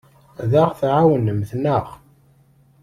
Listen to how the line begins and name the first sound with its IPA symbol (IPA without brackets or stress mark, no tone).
ð